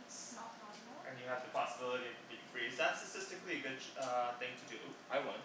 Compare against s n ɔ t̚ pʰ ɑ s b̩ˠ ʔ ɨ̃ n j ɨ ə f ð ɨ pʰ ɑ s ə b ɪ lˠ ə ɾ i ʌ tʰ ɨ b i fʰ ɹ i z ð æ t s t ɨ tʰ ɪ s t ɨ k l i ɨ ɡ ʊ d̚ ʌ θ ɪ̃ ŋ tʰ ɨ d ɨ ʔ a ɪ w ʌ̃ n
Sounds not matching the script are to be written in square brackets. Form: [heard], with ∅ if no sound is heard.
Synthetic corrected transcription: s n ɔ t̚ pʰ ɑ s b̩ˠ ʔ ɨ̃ n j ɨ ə [v] ð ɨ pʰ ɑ s ə b ɪ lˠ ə ɾ i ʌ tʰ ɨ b i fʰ ɹ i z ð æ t s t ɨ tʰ ɪ s t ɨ k l i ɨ ɡ ʊ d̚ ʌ θ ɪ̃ ŋ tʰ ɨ d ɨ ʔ a ɪ w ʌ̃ n